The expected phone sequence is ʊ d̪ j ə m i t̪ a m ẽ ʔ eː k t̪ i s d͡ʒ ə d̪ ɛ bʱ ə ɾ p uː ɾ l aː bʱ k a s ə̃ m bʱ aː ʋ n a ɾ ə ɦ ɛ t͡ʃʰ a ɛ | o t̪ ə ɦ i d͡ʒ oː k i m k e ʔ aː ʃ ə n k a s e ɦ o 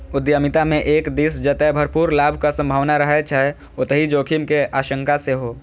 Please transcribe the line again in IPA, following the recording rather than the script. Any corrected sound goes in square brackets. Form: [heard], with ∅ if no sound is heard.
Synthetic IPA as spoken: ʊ d̪ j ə m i t̪ a m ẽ ʔ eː k [d̪] i s d͡ʒ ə [t̪] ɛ bʱ ə ɾ p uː ɾ l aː bʱ k a s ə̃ m bʱ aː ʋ n a ɾ ə ɦ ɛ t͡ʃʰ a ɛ | o t̪ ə ɦ i d͡ʒ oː [kʰ] i m k e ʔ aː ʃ ə [ŋ] k a s e ɦ o